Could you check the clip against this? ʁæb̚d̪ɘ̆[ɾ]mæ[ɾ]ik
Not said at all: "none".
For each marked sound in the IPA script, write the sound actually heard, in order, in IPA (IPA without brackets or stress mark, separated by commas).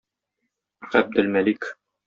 l, l